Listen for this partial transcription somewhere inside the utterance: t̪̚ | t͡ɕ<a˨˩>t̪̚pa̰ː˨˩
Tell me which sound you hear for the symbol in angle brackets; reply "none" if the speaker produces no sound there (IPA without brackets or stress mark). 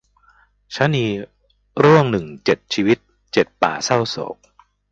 e˨˩